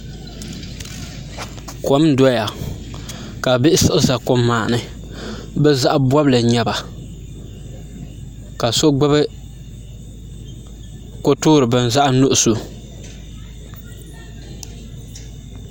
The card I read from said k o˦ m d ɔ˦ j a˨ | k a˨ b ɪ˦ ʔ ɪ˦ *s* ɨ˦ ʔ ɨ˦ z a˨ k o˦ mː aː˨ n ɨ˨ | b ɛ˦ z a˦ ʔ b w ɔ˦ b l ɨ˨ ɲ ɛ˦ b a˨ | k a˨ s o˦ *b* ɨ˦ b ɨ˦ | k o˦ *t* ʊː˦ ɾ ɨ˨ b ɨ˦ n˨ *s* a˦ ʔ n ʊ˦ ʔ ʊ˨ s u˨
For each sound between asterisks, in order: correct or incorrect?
correct, incorrect, correct, incorrect

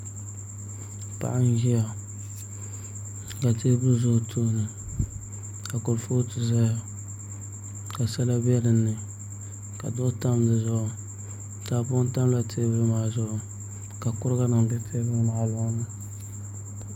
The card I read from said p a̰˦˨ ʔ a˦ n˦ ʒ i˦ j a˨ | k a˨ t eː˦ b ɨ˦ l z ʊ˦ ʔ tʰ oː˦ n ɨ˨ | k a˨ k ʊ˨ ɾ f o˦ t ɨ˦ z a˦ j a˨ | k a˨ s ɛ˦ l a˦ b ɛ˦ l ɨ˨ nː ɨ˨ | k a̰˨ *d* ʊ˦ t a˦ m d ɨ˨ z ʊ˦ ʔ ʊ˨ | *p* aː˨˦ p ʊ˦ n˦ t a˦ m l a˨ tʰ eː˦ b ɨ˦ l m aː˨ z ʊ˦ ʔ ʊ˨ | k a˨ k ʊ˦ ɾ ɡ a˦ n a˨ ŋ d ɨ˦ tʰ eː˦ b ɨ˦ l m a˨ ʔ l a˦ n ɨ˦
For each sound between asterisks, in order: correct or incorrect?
correct, incorrect

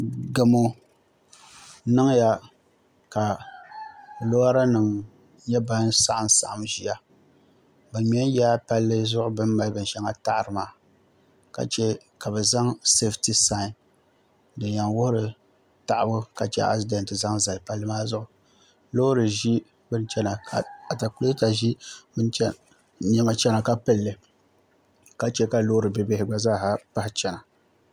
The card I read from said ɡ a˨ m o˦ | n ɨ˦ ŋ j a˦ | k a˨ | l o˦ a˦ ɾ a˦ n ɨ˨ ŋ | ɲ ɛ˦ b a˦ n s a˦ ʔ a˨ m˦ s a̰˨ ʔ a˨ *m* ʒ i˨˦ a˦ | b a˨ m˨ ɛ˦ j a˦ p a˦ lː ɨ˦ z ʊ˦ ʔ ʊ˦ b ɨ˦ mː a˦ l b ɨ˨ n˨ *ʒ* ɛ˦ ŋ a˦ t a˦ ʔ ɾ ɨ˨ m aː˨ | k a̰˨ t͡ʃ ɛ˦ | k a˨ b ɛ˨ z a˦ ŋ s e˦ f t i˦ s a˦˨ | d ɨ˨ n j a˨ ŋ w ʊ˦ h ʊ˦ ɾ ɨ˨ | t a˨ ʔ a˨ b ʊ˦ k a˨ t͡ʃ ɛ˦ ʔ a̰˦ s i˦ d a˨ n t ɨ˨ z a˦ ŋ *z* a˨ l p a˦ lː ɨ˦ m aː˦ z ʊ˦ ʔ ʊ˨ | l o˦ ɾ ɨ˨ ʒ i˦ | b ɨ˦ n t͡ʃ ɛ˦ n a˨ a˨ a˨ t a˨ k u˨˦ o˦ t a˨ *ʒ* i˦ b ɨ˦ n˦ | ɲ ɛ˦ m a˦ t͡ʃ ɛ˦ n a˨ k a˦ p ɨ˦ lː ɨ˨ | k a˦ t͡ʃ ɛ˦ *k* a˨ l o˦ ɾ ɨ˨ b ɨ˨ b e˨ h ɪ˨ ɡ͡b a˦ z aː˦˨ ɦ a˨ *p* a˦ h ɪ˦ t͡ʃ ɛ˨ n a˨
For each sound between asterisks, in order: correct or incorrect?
correct, incorrect, correct, correct, correct, correct

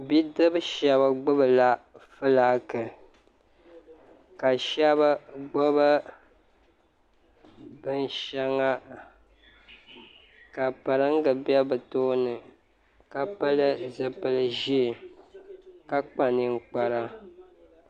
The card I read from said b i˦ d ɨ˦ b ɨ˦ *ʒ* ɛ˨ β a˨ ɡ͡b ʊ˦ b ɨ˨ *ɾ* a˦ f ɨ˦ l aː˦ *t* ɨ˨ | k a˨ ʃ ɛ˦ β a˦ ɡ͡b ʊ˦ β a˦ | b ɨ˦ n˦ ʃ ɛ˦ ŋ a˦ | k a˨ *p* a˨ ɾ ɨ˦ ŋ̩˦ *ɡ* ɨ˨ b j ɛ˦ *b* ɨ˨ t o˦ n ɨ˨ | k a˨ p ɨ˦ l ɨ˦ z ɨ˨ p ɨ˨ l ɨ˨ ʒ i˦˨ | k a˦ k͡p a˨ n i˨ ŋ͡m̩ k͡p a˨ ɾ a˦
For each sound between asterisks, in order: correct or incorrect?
incorrect, incorrect, incorrect, correct, correct, correct

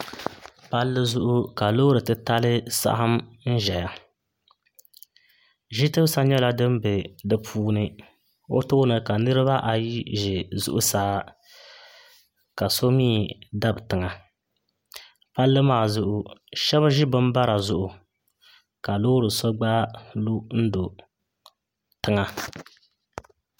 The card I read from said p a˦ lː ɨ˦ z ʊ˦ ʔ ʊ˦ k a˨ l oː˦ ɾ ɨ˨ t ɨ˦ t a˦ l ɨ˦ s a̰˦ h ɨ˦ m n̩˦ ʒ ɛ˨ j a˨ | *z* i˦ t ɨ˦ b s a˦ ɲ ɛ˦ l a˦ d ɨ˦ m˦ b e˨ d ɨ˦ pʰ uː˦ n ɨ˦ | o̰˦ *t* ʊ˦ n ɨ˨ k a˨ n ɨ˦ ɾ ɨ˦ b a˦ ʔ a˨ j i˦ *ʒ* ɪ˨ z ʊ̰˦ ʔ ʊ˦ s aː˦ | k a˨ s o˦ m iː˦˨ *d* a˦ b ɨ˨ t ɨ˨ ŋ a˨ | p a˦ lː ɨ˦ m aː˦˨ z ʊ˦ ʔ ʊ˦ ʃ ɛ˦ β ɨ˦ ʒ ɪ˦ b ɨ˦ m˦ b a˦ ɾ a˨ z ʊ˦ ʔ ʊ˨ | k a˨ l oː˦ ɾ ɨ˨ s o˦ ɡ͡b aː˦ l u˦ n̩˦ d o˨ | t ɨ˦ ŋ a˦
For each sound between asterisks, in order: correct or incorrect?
incorrect, correct, correct, correct

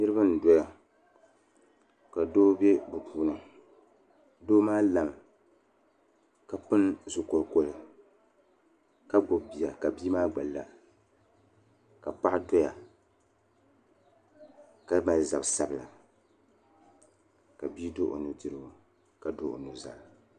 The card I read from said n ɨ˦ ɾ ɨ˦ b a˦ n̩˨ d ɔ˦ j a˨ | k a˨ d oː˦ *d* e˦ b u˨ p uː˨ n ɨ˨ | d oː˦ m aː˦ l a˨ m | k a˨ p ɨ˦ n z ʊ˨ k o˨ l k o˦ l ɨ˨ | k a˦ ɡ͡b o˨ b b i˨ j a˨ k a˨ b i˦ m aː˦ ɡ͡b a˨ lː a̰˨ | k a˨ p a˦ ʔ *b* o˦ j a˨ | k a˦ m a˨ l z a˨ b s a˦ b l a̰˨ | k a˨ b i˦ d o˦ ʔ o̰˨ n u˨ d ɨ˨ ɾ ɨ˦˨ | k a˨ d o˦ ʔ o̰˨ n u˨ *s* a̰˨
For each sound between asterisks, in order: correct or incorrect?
incorrect, incorrect, incorrect

